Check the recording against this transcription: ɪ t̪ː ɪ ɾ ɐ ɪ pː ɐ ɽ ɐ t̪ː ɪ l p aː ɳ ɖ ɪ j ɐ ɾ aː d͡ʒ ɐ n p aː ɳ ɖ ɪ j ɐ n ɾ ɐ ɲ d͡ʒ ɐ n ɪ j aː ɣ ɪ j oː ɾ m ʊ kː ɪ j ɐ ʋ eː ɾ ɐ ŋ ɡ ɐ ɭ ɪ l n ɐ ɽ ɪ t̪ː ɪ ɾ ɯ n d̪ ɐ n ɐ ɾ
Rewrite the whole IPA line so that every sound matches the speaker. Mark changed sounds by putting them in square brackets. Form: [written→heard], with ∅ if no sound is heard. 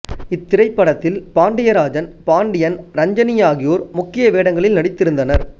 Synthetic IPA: ɪ t̪ː ɪ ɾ ɐ ɪ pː ɐ ɽ ɐ t̪ː ɪ l p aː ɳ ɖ ɪ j ɐ ɾ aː d͡ʒ ɐ n p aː ɳ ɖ ɪ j ɐ n ɾ ɐ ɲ d͡ʒ ɐ n ɪ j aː ɣ ɪ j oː ɾ m ʊ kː ɪ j ɐ ʋ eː [ɾ→ɽ] ɐ ŋ ɡ ɐ ɭ ɪ l n ɐ ɽ ɪ t̪ː ɪ ɾ ɯ n d̪ ɐ n ɐ ɾ

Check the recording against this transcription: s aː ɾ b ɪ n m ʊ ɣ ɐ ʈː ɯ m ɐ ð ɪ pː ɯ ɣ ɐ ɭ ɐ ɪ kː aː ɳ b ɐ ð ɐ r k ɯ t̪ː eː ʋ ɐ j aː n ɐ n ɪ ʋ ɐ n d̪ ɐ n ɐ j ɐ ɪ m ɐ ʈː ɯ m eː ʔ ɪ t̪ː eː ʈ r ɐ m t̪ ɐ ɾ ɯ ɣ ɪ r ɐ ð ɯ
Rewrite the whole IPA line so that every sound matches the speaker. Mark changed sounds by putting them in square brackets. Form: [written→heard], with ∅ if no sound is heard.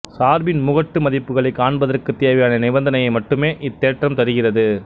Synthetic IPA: s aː ɾ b ɪ n m ʊ ɣ ɐ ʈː ɯ m ɐ ð ɪ pː ɯ ɣ ɐ ɭ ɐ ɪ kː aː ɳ b ɐ ð ɐ r k ɯ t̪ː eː ʋ ɐ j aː n ɐ n ɪ ʋ ɐ n d̪ ɐ n ɐ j ɐ ɪ m ɐ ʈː ɯ m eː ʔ ɪ t̪ː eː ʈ r ɐ m t̪ ɐ ɾ ɯ ɣ ɪ r ɐ ð ɯ

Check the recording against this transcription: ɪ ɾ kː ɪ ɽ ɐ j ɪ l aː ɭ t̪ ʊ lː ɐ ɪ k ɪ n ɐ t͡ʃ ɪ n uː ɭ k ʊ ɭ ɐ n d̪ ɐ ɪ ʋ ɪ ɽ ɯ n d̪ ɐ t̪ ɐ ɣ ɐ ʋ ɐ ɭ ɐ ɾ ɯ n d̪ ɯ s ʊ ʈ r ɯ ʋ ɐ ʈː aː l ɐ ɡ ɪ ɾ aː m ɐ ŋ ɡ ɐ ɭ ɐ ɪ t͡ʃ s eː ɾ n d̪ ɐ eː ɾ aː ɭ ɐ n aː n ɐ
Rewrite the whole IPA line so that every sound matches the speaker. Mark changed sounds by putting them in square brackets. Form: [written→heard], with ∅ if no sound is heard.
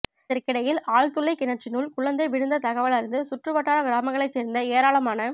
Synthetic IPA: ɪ ɾ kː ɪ ɽ ɐ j ɪ l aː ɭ t̪ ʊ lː ɐ ɪ k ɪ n ɐ t͡ʃ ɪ n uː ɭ k ʊ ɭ ɐ n d̪ ɐ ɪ ʋ ɪ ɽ ɯ n d̪ ɐ t̪ ɐ ɣ ɐ ʋ ɐ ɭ ɐ ɾ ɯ n d̪ ɯ s ʊ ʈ r ɯ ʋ ɐ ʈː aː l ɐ ɡ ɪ ɾ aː m ɐ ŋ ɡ ɐ ɭ ɐ ɪ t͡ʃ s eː ɾ n d̪ ɐ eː ɾ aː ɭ ɐ [n→m] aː n ɐ

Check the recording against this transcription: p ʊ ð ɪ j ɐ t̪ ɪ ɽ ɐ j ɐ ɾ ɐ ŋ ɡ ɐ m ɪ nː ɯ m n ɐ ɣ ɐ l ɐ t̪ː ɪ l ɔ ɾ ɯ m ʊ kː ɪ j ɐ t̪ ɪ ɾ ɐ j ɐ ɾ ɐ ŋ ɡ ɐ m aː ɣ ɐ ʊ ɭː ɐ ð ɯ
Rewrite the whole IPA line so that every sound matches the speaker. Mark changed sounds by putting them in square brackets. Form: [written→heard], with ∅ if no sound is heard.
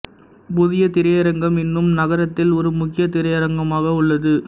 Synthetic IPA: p ʊ ð ɪ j ɐ t̪ ɪ [ɽ→ɾ] ɐ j ɐ ɾ ɐ ŋ ɡ ɐ m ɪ nː ɯ m n ɐ ɣ ɐ [l→ɾ] ɐ t̪ː ɪ l ɔ ɾ ɯ m ʊ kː ɪ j ɐ t̪ ɪ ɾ ɐ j ɐ ɾ ɐ ŋ ɡ ɐ m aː ɣ ɐ ʊ ɭː ɐ ð ɯ

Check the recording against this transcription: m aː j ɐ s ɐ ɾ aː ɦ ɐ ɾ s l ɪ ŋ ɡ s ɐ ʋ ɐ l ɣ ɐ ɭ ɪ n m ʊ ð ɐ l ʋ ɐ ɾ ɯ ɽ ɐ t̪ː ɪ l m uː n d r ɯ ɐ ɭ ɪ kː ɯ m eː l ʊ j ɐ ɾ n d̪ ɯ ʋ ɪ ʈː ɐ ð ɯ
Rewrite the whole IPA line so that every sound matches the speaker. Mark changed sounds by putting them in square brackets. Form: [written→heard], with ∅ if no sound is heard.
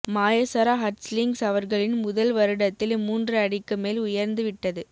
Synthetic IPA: m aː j ɐ s ɐ ɾ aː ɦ ɐ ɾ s l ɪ ŋ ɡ s ɐ ʋ ɐ [l→ɾ] ɣ ɐ ɭ ɪ n m ʊ ð ɐ l ʋ ɐ ɾ ɯ ɽ ɐ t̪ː ɪ l m uː n d r ɯ ɐ [ɭ→ɽ] ɪ kː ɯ m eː l ʊ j ɐ ɾ n d̪ ɯ ʋ ɪ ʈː ɐ ð ɯ

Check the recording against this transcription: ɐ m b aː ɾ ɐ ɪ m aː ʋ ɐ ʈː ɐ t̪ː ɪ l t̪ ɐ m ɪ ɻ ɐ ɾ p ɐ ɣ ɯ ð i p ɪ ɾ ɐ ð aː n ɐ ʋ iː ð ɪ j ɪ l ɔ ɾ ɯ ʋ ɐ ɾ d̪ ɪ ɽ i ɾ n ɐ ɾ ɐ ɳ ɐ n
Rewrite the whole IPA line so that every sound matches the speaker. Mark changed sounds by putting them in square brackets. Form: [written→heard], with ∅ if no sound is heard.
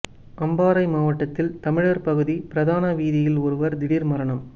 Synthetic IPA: ɐ m b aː ɾ ɐ ɪ m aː ʋ ɐ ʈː ɐ t̪ː ɪ l t̪ ɐ m ɪ ɻ ɐ ɾ p ɐ ɣ ɯ ð i p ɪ ɾ ɐ ð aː n ɐ ʋ iː ð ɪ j ɪ l ɔ ɾ ɯ ʋ ɐ ɾ d̪ ɪ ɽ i ɾ [n→m] ɐ ɾ ɐ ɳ ɐ [n→m]

